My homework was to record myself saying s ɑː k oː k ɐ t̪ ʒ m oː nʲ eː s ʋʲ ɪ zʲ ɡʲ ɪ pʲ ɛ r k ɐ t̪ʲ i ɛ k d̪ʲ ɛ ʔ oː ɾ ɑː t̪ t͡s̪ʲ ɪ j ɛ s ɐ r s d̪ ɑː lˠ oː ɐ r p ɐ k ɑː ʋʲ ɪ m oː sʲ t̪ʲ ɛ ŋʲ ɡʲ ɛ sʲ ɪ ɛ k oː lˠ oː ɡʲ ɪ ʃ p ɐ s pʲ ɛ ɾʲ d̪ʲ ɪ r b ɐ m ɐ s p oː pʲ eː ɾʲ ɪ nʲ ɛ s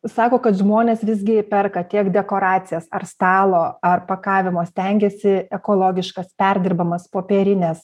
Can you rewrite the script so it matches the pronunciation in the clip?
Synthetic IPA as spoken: s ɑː k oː k ɐ t̪ ʒ m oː nʲ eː s ʋʲ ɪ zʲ ɡʲ ɪ pʲ ɛ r k ɐ t̪ʲ i ɛ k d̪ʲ ɛ k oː ɾ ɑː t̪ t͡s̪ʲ ɪ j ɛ s ɐ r s t̪ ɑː lˠ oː ɐ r p ɐ k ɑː ʋʲ ɪ m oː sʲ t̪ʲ ɛ ŋʲ ɡʲ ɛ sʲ ɪ ɛ k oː lˠ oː ɡʲ ɪ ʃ k ɐ s pʲ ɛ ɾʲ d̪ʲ ɪ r b ɐ m ɐ s p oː pʲ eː ɾʲ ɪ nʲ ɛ s